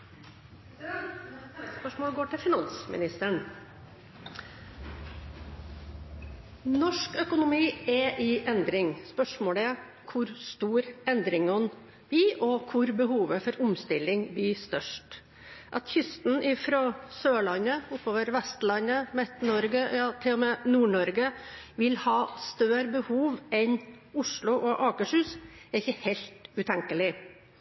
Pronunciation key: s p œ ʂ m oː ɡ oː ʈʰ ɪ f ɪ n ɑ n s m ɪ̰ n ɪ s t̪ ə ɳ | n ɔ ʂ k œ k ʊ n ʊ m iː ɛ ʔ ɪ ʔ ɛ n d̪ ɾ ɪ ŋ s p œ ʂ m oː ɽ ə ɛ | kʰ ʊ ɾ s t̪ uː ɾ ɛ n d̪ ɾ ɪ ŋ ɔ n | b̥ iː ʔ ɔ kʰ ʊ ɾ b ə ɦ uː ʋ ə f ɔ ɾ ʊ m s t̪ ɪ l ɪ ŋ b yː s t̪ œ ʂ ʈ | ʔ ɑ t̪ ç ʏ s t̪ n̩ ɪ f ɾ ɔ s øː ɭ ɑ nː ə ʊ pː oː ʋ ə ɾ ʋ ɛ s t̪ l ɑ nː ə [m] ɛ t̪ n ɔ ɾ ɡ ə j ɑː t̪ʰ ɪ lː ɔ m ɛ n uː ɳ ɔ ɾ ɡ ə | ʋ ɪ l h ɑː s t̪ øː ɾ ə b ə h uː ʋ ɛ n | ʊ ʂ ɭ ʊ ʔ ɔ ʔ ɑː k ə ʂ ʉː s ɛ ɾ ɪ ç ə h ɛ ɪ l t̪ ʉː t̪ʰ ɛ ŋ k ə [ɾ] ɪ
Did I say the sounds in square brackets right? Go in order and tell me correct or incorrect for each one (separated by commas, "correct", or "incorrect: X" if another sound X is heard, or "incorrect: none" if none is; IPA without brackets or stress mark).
correct, incorrect: l